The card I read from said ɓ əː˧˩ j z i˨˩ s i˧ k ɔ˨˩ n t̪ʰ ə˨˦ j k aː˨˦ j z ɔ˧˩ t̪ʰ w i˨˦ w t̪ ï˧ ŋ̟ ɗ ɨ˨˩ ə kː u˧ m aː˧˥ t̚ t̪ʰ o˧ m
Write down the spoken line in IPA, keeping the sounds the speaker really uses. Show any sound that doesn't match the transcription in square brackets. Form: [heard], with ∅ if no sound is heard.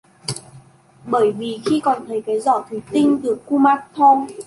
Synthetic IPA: ɓ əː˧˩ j [v] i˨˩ [x] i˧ k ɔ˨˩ n t̪ʰ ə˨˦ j k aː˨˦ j z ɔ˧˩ t̪ʰ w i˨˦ [∅] t̪ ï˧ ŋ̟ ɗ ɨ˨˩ ə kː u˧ m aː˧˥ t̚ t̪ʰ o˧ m